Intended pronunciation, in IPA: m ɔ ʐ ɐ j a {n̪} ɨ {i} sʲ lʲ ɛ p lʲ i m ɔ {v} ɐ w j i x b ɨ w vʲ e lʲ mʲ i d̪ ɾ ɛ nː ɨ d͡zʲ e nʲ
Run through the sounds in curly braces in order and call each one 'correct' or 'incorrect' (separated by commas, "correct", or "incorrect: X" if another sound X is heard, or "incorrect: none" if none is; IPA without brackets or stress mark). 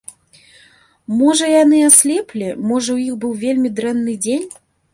correct, incorrect: a, incorrect: ʐ